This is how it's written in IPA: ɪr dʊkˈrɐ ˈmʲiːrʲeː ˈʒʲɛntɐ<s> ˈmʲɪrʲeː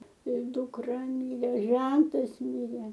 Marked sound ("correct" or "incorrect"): correct